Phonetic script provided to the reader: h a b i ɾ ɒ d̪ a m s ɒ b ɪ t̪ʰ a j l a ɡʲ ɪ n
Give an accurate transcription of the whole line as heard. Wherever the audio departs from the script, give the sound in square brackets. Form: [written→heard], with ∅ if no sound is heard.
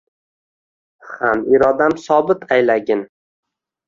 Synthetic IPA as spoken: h a [b→m] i ɾ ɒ d̪ a m s ɒ b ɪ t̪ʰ a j l a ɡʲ ɪ n

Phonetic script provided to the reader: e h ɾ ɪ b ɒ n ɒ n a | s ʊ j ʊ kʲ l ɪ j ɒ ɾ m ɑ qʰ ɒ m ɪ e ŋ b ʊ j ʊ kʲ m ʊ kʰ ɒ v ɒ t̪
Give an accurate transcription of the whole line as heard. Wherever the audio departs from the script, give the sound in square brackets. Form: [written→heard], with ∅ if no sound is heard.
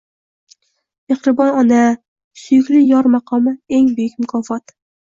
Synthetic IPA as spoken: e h ɾ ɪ b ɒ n ɒ n a | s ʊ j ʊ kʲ l ɪ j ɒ ɾ m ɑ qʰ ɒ m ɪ e ŋ b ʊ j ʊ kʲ m ʊ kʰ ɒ [v→f] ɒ t̪

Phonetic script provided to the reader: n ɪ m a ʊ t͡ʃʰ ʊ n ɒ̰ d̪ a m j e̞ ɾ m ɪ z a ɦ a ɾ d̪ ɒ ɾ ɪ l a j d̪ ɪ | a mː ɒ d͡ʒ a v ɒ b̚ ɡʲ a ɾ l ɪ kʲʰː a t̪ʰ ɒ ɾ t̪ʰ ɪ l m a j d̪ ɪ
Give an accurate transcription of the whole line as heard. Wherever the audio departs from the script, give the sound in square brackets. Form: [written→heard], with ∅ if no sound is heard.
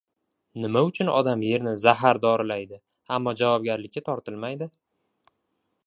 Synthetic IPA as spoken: n ɪ m a ʊ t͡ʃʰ ʊ n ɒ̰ d̪ a m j e̞ ɾ [m→n] ɪ z a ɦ a ɾ d̪ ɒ ɾ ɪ l a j d̪ ɪ | a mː ɒ d͡ʒ a v ɒ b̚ ɡʲ a ɾ l ɪ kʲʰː a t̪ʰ ɒ ɾ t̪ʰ ɪ l m a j d̪ ɪ

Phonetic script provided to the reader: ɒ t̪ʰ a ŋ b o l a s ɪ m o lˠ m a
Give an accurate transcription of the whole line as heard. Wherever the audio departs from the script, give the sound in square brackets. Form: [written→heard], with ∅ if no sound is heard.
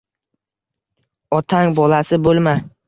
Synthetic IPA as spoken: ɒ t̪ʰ a ŋ b [o→ɒ] l a s ɪ [m→b] o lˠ m a

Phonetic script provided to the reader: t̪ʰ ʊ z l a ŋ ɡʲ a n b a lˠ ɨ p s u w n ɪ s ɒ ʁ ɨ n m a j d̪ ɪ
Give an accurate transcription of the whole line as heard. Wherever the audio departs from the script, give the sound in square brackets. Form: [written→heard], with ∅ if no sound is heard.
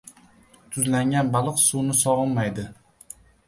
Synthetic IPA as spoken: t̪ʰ ʊ z l a ŋ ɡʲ a n b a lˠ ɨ [p→q] s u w n ɪ s ɒ ʁ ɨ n m a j d̪ ɪ

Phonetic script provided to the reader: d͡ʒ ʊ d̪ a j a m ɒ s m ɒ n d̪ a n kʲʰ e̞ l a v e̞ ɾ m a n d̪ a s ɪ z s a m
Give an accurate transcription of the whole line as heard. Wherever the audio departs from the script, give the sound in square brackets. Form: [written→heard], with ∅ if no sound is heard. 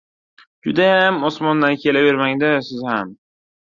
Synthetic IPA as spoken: d͡ʒ ʊ d̪ a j a m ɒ s m ɒ n d̪ a n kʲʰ e̞ l a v e̞ ɾ m a [n→ŋ] d̪ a s ɪ z [s→h] a m

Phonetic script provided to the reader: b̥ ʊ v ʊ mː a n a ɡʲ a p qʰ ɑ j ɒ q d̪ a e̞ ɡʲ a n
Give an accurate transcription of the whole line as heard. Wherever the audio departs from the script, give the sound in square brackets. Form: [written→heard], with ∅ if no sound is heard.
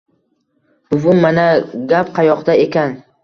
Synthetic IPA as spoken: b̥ ʊ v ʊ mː a n a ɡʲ a p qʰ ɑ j ɒ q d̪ a e̞ [ɡʲ→kʲ] a n

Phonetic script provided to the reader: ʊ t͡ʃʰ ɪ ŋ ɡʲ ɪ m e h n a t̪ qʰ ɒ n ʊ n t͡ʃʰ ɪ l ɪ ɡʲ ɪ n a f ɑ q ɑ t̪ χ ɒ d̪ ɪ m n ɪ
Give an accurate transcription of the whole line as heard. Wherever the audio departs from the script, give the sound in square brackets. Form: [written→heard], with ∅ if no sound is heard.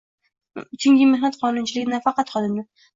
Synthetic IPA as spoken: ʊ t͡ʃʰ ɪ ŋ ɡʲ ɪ m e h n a t̪ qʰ ɒ n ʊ n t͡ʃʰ ɪ l ɪ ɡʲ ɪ n a f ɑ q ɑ t̪ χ ɒ d̪ ɪ m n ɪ

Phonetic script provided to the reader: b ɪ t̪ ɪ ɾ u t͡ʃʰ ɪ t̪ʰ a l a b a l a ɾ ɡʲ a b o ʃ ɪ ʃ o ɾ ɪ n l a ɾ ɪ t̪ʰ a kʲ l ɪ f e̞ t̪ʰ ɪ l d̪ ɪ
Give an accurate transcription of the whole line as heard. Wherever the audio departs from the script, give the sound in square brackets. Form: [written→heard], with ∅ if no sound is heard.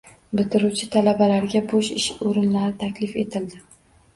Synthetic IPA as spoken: b ɪ t̪ ɪ ɾ u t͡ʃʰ ɪ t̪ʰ a l a b a l a ɾ ɡʲ a b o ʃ ɪ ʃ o ɾ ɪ n l a ɾ ɪ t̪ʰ a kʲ l ɪ f e̞ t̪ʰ ɪ l d̪ ɪ

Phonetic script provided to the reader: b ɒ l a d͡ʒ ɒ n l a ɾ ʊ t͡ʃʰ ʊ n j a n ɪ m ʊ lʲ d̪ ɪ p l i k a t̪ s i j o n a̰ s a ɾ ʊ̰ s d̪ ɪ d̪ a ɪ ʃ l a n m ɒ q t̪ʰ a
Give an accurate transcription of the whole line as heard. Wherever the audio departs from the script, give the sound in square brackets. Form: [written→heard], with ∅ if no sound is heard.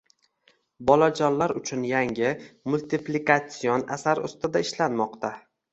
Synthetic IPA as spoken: b ɒ l a d͡ʒ ɒ n l a ɾ ʊ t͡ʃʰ ʊ n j a [n→ŋ] ɪ m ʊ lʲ [d̪→t̪] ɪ p l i k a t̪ s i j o n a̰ s a ɾ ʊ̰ s [d̪→t̪] ɪ d̪ a ɪ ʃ l a n m ɒ q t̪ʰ a

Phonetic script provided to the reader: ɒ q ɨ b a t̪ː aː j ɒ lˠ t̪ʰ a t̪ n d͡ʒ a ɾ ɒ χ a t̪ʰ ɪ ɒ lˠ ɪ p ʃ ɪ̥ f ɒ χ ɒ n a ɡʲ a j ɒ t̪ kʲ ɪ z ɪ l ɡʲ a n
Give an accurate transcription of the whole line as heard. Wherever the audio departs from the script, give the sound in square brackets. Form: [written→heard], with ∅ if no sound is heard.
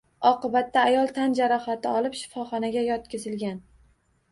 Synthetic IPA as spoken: ɒ q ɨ b a t̪ː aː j ɒ lˠ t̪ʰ a [t̪→∅] n d͡ʒ a ɾ ɒ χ a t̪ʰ ɪ ɒ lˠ ɪ p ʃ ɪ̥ f ɒ χ ɒ n a ɡʲ a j ɒ t̪ kʲ ɪ z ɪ l ɡʲ a n

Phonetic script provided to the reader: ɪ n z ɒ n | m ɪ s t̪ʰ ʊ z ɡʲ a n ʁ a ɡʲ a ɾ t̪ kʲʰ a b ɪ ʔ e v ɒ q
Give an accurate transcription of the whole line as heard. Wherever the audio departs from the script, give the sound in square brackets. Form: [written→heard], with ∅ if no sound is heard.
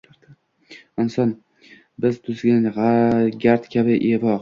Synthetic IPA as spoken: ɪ n [z→s] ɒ n | [m→b] ɪ [s→z] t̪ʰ ʊ z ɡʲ a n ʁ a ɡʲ a ɾ t̪ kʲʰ a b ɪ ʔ e v ɒ q

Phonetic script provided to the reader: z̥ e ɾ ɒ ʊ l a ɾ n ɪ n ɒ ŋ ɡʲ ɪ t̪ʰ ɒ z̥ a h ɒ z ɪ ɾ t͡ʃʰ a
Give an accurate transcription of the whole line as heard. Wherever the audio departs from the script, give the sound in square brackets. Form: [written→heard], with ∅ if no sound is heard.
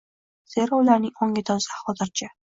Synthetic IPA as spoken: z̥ e ɾ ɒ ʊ l a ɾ n ɪ [n→ŋ] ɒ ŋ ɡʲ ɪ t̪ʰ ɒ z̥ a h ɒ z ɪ ɾ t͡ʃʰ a

